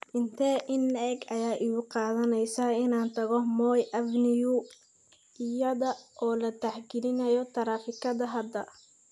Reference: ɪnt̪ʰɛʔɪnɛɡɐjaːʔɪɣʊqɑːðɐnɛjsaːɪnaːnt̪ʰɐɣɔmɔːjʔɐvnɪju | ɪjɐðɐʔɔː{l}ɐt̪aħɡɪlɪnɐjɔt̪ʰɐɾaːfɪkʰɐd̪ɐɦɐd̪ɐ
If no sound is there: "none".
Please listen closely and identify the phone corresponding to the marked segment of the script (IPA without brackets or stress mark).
l